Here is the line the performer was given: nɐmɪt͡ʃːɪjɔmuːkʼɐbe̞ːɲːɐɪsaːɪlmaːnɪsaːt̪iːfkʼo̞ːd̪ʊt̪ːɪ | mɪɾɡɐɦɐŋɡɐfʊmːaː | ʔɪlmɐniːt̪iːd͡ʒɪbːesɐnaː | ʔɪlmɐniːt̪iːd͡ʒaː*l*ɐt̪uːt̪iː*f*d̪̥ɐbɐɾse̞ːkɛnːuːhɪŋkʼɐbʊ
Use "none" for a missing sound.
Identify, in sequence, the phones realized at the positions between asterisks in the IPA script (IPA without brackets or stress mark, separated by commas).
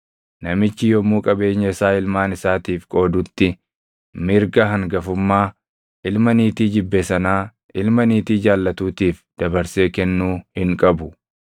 lː, f